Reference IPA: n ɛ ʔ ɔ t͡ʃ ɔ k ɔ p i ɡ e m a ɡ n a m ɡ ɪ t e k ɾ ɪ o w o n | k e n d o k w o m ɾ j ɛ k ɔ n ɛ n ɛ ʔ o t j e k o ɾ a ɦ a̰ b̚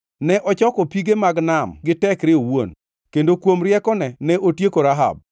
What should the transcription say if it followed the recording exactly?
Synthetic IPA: n ɛ ʔ ɔ t͡ʃ ɔ k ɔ p i ɡ e m a ɡ n a m ɡ ɪ t ɛ k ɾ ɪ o w o n | k e n d o k w o m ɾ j ɛ k ɔ n ɛ n ɛ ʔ o t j e k o ɾ a ɦ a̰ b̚